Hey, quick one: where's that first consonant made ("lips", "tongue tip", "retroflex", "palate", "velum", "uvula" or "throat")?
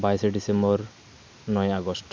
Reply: lips